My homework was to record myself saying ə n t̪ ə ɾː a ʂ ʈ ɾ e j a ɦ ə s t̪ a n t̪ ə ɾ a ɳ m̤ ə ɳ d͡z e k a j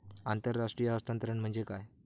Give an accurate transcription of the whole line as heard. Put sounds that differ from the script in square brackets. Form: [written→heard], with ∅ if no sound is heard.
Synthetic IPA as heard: [ə→a] n t̪ ə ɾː a ʂ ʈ ɾ [e→i] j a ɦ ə s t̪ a n t̪ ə ɾ [a→ə] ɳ m̤ ə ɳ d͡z e k a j